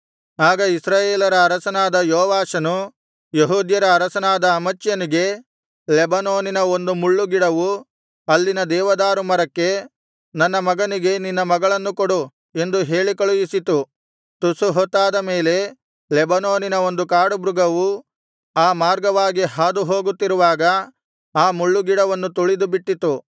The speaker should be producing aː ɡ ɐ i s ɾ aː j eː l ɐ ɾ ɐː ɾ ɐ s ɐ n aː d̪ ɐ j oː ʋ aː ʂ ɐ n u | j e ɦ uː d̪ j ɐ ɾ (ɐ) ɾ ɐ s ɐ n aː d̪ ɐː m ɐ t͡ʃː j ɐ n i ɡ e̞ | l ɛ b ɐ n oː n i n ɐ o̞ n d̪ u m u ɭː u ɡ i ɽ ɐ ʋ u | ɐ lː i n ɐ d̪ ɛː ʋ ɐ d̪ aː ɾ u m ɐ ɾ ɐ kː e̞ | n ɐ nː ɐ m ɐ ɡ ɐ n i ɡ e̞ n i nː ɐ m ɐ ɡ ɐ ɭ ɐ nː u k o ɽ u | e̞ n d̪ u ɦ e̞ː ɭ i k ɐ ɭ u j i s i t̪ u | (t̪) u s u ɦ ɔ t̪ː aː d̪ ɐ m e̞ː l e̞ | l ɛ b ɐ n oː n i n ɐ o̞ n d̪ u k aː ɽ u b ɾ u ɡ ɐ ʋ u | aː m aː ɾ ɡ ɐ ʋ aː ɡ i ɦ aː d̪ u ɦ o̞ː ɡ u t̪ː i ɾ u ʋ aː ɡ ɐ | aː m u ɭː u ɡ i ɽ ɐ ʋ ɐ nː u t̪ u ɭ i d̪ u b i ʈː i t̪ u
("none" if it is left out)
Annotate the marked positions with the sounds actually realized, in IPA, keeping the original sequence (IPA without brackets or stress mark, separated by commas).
ɐː, t̪